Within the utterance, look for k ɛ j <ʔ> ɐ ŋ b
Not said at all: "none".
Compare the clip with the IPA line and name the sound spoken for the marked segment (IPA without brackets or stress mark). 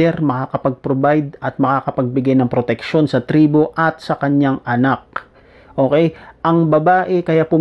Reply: ʔ